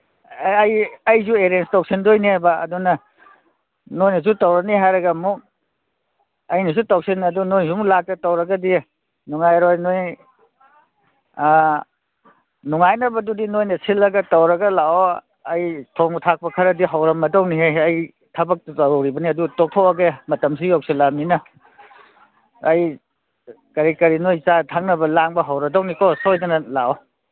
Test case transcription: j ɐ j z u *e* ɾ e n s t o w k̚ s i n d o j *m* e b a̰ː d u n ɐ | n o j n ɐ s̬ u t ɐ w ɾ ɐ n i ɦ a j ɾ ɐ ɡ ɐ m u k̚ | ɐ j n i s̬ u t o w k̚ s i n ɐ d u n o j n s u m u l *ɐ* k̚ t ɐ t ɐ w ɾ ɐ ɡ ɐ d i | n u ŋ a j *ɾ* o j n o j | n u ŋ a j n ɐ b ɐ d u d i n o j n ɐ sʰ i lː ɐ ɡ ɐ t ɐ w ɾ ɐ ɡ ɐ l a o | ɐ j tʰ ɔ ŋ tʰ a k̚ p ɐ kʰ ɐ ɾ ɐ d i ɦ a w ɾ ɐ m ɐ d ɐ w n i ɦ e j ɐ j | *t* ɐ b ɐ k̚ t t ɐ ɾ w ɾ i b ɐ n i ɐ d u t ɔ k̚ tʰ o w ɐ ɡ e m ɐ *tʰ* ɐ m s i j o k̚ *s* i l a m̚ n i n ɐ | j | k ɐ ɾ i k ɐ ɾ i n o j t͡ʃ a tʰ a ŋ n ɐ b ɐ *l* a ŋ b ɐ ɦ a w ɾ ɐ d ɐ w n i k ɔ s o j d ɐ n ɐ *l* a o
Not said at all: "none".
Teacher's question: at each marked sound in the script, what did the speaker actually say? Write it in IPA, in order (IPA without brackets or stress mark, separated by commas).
e, n, a, ɾ, tʰ, t, s, l, l